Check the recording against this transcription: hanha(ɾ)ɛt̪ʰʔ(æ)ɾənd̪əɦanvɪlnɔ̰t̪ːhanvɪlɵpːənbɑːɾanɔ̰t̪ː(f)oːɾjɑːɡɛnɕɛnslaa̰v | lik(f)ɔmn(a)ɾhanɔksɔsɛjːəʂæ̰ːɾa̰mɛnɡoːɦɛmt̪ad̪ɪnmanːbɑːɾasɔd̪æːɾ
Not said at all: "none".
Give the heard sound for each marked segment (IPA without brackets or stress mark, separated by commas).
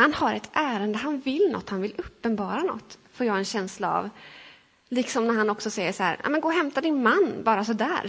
ɾ, æː, f, s, æ